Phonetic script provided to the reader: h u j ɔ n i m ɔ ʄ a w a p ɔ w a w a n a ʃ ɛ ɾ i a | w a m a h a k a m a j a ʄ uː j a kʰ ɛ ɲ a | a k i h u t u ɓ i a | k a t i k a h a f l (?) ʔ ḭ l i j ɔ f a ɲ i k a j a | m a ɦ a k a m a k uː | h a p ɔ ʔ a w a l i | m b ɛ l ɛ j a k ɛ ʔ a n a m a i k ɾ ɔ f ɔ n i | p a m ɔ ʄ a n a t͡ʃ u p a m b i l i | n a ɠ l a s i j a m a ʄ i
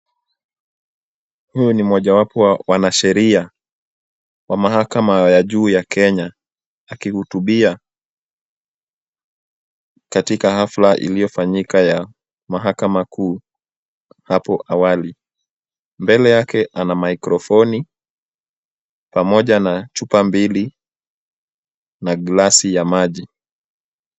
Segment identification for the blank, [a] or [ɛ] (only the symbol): a